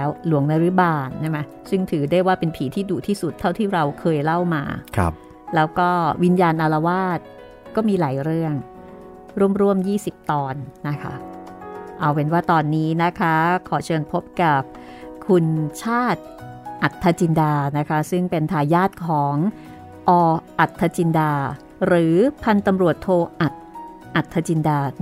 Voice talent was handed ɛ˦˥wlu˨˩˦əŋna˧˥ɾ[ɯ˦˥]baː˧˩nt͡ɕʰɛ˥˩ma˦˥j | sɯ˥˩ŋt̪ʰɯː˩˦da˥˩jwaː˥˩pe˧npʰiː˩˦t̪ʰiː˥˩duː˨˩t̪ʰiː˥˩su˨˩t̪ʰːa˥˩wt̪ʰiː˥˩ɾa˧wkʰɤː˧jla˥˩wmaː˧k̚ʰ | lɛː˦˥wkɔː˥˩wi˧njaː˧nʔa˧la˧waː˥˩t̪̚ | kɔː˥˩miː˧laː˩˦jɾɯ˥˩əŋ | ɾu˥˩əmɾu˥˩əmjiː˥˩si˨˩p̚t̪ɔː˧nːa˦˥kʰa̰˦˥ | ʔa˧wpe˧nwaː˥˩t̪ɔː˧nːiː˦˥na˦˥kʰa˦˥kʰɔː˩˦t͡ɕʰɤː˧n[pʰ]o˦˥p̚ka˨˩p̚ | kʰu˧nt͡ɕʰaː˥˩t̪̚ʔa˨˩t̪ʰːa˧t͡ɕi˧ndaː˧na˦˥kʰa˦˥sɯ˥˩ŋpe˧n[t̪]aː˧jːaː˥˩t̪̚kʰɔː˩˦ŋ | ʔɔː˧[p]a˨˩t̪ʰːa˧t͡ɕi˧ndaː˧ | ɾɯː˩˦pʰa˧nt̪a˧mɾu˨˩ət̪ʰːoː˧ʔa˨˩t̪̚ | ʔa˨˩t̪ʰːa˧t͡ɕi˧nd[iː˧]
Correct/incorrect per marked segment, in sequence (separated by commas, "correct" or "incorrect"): correct, correct, incorrect, incorrect, incorrect